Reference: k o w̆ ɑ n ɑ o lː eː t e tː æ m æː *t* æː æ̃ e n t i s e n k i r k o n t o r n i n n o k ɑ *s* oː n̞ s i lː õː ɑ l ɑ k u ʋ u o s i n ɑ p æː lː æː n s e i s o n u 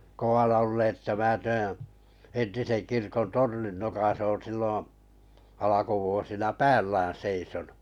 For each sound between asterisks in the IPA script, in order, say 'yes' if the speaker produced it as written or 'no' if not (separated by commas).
yes, yes